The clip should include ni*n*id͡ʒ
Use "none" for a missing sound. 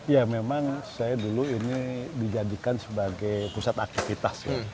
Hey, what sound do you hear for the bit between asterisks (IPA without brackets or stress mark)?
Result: d